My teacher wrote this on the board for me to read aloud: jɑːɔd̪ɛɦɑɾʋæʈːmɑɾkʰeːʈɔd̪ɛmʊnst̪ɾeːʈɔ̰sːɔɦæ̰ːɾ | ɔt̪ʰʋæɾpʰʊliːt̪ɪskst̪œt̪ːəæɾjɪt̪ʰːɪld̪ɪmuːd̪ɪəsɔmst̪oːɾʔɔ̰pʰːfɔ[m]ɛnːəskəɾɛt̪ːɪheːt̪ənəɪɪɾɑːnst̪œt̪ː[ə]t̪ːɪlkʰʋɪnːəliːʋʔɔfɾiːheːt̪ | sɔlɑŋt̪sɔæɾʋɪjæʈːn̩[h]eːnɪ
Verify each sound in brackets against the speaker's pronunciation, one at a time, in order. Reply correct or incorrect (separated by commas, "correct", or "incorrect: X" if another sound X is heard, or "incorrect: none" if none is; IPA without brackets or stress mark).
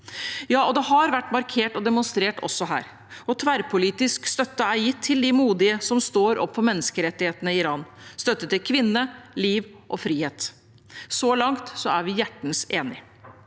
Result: correct, correct, incorrect: s